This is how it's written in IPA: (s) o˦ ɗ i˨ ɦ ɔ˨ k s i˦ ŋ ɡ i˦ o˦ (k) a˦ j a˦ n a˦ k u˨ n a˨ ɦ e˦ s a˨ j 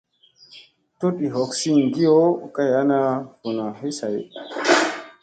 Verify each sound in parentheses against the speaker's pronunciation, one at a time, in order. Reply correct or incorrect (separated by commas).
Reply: incorrect, correct